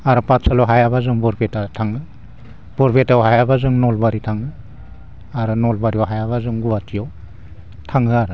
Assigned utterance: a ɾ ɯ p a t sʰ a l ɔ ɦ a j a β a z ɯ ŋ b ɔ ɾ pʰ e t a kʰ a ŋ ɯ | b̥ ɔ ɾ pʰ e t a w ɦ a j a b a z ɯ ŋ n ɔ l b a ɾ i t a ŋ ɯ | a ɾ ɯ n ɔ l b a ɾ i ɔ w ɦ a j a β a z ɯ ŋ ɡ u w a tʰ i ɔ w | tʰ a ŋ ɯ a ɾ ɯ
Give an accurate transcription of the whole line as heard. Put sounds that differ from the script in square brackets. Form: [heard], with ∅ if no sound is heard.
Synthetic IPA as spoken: a ɾ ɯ p a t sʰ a l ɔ ɦ a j a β a z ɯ ŋ b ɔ ɾ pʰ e t a [tʰ] a ŋ ɯ | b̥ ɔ ɾ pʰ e t a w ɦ a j a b a z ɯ ŋ n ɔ l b a ɾ i [tʰ] a ŋ ɯ | a ɾ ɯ n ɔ l b a ɾ i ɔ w ɦ a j a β a z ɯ ŋ ɡ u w a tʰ i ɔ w | tʰ a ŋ ɯ a ɾ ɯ

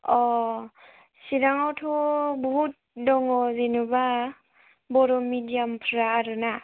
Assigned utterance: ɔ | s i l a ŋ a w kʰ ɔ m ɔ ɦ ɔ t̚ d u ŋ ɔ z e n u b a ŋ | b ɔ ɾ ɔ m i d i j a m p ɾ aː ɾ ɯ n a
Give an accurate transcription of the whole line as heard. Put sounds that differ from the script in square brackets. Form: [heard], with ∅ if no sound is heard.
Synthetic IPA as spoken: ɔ | s i [ɾ] a ŋ a w [tʰ] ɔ [b] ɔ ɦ [u] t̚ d [ɔ] ŋ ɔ z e n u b a [∅] | b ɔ ɾ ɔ m i d i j a m [pʰ] ɾ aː ɾ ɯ n a

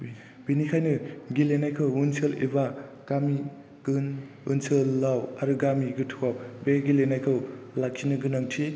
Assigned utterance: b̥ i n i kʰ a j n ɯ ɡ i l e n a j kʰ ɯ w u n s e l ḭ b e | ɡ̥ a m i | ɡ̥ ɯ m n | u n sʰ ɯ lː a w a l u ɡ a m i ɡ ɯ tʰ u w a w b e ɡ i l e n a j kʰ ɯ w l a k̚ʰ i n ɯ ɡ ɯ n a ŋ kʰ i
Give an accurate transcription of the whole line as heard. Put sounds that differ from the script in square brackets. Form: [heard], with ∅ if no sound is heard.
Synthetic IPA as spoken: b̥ i n i kʰ a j n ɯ ɡ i l e n a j kʰ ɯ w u n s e l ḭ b [a] | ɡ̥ a m i | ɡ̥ ɯ [∅] n | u n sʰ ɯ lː a w a [ɾ] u ɡ a m i ɡ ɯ tʰ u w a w b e ɡ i l e n a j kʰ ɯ w l a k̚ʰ i n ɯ ɡ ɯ n a ŋ [tʰ] i

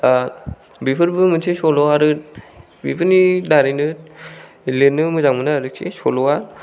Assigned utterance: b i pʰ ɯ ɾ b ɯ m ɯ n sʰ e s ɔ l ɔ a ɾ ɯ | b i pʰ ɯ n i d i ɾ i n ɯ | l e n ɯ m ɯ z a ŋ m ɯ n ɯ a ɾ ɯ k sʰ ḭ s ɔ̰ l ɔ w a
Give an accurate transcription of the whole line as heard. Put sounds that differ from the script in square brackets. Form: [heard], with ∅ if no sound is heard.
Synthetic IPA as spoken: b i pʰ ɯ ɾ b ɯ m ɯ n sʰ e s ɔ l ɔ a ɾ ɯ | b i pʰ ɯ n i d [a] ɾ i n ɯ | l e n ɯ m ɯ z a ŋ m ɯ n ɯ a ɾ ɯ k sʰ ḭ s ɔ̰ l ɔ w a

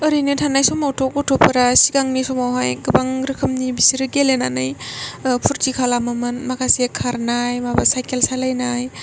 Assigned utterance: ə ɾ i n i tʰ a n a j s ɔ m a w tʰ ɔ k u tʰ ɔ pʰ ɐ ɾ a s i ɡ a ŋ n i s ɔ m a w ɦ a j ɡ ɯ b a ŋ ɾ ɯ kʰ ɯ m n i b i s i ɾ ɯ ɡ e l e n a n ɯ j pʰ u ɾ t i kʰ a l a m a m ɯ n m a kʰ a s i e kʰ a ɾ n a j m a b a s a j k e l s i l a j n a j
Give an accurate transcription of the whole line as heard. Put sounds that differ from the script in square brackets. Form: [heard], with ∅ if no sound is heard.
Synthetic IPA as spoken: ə ɾ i n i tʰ a n a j s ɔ m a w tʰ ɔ k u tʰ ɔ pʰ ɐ ɾ a s i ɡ a ŋ n i s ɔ m a w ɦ a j ɡ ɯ b a ŋ ɾ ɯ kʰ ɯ m n i b i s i ɾ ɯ ɡ e l e n a n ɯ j pʰ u ɾ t i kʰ a l a m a m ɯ n m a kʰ a s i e kʰ a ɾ n a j m a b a s a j k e l s [a] l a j n a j

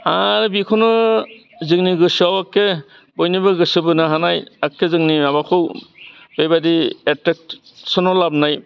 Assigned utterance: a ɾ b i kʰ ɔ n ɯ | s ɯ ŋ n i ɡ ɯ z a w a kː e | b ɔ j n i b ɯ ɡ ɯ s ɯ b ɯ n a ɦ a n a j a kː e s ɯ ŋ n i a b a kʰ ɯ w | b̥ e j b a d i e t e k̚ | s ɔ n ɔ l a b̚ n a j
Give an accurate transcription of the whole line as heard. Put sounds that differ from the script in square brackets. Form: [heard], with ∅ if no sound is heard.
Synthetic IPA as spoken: a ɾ b i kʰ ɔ n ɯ | [z] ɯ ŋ n i ɡ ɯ [s] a w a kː e | b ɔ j n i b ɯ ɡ ɯ s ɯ b ɯ n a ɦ a n a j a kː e [z] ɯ ŋ n i a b a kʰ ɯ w | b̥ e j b a d i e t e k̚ | s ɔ n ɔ l a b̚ n a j

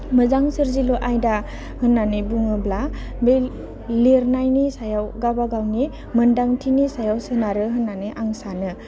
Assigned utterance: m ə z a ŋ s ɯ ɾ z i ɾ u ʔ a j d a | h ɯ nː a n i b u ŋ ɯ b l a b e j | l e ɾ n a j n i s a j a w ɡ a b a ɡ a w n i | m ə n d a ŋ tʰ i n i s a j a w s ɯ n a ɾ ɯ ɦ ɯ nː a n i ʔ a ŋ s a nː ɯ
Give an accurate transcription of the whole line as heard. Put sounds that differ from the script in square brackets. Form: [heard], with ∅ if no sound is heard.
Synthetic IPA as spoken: m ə z a ŋ s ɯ ɾ z i [l] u ʔ a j d a | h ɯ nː a n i b u ŋ ɯ b l a b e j | l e ɾ n a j n i s a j a w ɡ a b a ɡ a w n i | m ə n d a ŋ tʰ i n i s a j a w s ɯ n a ɾ ɯ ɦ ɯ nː a n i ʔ a ŋ s a [n] ɯ

